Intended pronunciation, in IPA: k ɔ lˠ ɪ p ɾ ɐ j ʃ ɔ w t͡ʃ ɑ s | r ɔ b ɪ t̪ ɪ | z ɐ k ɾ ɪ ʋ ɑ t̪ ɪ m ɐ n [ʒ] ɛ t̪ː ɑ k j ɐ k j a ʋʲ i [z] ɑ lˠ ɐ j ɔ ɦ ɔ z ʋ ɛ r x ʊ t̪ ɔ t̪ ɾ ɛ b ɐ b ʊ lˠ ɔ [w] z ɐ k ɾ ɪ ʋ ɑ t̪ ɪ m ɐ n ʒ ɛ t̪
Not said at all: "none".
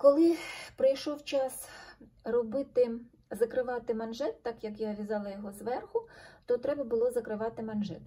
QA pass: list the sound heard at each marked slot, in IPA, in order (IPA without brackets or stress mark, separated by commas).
ʒ, z, none